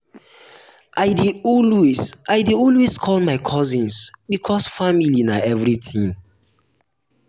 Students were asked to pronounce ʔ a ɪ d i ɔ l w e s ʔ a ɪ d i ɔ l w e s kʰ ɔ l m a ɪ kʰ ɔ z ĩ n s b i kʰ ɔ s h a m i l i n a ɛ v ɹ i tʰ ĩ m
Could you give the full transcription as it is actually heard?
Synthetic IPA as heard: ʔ a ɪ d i ɔ l w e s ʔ a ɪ d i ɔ l w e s kʰ ɔ l m a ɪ kʰ ɔ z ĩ n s b i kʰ ɔ s f a m i l i n a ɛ v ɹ i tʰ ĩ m